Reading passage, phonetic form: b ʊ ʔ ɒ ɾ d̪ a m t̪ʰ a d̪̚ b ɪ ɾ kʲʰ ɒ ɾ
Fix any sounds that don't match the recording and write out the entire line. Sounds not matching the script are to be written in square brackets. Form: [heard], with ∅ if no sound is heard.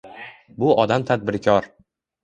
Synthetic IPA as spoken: b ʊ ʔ ɒ [∅] d̪ a m t̪ʰ a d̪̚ b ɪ ɾ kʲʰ ɒ ɾ